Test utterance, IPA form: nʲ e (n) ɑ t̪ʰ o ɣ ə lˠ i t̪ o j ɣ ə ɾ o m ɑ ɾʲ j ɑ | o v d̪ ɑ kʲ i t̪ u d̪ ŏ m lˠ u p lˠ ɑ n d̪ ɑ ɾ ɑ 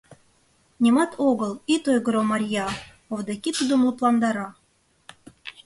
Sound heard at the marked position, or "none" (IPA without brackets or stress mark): m